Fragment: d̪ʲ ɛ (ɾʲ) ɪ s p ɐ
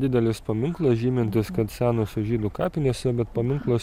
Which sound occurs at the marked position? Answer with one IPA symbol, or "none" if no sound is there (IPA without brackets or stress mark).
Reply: lʲ